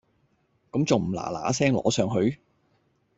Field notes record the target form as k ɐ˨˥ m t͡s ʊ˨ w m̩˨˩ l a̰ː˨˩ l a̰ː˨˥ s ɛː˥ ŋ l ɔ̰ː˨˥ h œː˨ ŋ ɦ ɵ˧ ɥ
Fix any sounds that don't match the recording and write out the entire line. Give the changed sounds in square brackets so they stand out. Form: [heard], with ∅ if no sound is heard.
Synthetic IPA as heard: k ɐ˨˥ m t͡s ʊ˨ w m̩˨˩ l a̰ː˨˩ l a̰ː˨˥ s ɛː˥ ŋ l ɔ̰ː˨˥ [s] œː˨ ŋ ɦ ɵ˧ ɥ